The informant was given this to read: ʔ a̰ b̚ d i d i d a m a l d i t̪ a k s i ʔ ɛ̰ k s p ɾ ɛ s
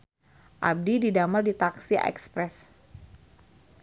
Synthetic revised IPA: ʔ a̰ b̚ d i d i d a m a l d i t̪ a k s i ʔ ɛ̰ k s p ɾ ɛ s